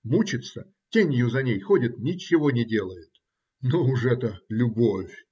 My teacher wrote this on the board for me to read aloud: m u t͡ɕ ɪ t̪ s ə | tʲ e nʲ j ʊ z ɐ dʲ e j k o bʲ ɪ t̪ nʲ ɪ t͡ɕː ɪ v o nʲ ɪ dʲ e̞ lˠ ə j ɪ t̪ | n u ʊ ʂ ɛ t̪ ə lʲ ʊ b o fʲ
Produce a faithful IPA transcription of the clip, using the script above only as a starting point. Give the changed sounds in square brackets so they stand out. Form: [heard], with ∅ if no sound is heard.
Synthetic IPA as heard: m u t͡ɕ ɪ t̪ s ə | tʲ e nʲ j ʊ z ɐ [nʲ] e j [x] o [dʲ] ɪ t̪ nʲ ɪ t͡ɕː ɪ v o nʲ ɪ dʲ e̞ lˠ ə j ɪ t̪ | n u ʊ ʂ ɛ t̪ ə lʲ ʊ b o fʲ